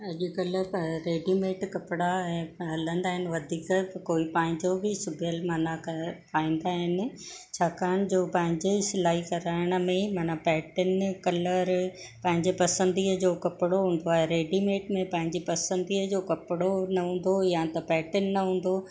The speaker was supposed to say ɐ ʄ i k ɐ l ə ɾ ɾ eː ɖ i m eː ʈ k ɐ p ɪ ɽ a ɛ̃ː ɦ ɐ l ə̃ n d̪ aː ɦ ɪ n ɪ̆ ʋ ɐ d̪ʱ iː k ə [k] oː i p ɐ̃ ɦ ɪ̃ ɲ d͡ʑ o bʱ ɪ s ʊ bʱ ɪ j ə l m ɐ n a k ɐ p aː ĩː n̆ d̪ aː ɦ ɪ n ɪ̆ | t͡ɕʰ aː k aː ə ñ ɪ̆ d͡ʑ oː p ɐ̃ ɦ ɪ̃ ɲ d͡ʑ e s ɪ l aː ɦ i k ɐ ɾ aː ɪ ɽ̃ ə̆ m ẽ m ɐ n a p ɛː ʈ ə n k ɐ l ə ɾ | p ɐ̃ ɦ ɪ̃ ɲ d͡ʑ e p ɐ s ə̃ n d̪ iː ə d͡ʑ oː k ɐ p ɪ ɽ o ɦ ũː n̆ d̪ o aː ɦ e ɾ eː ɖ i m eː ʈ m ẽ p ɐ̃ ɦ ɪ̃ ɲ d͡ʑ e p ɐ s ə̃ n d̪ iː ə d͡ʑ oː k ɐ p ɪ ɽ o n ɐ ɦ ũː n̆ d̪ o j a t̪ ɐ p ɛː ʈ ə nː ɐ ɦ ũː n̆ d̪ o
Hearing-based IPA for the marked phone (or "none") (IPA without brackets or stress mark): k